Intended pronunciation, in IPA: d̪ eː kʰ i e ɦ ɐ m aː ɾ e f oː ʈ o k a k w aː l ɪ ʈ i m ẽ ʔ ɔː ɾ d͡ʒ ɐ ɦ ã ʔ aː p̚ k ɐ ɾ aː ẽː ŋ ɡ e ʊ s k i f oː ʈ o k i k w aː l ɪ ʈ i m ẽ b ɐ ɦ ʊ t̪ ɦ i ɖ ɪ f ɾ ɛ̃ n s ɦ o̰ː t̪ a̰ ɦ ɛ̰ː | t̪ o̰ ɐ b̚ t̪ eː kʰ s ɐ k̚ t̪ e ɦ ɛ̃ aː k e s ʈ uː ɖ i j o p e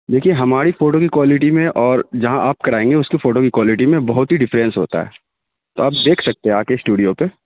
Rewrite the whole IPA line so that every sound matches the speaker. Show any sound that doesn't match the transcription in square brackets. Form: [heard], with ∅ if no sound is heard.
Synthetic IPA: d̪ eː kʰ i e ɦ ɐ m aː ɾ [i] f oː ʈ o k [i] k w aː l ɪ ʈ i m ẽ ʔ ɔː ɾ d͡ʒ ɐ ɦ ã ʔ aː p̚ k ɐ ɾ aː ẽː ŋ ɡ e ʊ s k i f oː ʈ o k i k w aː l ɪ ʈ i m ẽ b ɐ ɦ ʊ t̪ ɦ i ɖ ɪ f ɾ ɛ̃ n s ɦ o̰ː t̪ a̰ ɦ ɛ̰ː | t̪ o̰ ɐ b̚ [d̪] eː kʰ s ɐ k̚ t̪ e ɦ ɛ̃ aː k e s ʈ uː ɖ i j o p e